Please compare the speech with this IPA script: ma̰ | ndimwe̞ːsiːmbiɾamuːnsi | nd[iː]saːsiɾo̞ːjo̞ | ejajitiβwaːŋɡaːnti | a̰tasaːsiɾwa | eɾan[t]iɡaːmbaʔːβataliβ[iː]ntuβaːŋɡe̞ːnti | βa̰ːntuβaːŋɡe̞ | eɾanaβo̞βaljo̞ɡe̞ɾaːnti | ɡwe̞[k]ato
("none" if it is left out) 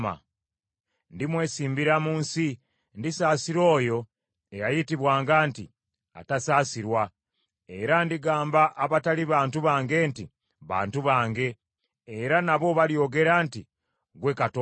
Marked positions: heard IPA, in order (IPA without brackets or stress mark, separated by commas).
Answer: i, d, aː, k